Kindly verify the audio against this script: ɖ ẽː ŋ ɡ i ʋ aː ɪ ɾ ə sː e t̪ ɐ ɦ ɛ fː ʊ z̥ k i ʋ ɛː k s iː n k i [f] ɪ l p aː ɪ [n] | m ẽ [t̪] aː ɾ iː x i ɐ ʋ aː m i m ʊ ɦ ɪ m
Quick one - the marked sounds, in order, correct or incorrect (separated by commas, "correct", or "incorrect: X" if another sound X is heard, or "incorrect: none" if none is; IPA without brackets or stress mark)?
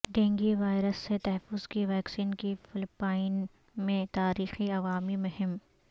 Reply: correct, correct, correct